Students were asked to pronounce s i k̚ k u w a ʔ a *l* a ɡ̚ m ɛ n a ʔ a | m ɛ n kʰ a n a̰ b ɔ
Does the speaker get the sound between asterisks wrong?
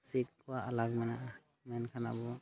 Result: no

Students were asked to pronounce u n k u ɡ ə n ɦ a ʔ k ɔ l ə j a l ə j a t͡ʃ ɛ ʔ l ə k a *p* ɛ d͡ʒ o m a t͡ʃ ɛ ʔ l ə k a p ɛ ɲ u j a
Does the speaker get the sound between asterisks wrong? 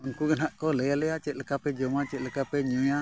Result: no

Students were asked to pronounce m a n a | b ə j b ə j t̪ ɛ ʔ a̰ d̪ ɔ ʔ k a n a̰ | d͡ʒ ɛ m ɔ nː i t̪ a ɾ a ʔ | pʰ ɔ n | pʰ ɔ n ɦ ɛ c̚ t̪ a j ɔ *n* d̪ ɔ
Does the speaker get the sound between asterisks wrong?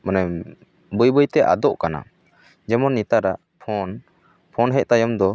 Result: yes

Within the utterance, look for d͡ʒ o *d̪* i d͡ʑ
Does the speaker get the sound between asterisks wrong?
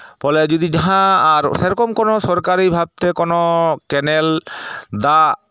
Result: no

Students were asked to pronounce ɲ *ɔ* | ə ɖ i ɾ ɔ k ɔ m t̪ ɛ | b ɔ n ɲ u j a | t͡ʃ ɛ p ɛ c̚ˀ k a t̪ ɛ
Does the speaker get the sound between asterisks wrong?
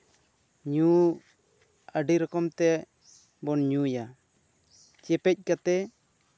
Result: yes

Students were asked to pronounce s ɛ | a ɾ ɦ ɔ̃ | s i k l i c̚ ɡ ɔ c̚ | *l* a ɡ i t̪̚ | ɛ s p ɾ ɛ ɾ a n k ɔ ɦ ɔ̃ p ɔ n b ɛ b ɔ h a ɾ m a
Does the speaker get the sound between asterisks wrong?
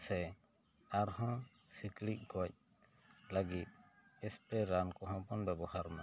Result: no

